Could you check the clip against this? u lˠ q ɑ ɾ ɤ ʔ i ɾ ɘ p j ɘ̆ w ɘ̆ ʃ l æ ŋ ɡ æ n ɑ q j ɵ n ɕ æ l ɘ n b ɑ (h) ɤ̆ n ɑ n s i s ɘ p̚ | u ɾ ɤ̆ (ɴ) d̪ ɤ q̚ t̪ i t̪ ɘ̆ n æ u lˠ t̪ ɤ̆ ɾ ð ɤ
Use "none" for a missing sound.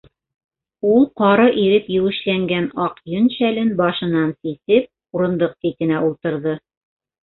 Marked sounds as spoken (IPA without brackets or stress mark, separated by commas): ʃ, n